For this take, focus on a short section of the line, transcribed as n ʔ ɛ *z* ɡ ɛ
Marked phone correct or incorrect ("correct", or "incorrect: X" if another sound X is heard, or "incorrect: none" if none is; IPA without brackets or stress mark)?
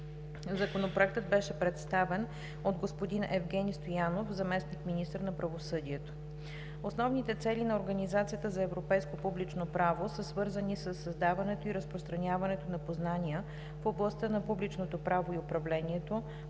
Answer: incorrect: v